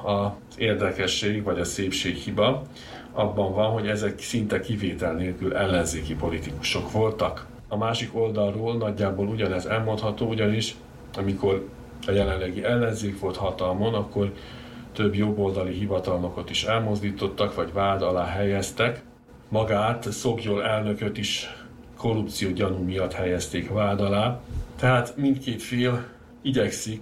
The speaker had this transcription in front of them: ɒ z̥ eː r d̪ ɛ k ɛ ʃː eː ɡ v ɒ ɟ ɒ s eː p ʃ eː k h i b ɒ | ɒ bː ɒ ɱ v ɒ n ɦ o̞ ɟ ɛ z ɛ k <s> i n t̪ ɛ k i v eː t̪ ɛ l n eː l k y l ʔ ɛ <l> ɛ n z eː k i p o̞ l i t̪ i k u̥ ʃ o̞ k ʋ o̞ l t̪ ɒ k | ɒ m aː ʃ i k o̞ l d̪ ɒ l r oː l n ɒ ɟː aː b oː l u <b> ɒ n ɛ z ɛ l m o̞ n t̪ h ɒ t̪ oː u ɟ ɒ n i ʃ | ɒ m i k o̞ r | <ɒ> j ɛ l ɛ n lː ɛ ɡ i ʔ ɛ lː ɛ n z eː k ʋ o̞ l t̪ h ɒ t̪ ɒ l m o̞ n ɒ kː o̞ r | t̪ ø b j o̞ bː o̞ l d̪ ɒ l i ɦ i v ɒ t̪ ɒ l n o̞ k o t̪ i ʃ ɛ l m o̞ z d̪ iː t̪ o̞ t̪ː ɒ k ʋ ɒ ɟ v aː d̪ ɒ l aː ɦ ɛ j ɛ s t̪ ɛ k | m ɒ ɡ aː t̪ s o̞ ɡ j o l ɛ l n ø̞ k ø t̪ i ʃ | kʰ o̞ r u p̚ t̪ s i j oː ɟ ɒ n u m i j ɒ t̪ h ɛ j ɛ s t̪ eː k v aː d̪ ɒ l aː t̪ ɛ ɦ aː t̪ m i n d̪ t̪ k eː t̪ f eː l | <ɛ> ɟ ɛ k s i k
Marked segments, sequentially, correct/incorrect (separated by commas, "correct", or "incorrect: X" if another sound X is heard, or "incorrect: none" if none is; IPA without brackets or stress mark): correct, incorrect: lː, incorrect: ɟ, correct, incorrect: i